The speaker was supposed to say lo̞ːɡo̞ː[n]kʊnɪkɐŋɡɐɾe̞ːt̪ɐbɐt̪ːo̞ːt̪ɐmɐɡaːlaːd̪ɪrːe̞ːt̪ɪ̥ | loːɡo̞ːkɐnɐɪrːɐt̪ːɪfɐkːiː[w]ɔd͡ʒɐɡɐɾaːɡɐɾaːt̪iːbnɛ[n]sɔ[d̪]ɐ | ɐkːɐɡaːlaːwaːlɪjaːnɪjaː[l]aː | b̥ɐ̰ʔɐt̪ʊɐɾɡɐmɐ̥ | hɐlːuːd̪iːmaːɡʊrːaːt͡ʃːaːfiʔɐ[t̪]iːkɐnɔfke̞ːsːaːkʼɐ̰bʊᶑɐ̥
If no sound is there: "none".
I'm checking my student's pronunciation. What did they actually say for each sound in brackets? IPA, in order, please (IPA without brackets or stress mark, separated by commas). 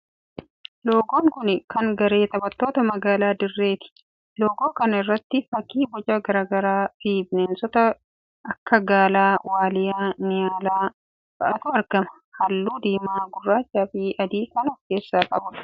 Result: ŋ, b, n, t̪, l, d̪